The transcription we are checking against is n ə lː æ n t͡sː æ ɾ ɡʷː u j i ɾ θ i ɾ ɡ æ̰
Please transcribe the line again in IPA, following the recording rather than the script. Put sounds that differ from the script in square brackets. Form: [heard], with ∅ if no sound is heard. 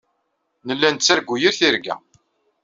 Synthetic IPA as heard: n ə lː æ n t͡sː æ ɾ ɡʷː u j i ɾ θ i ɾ ɡ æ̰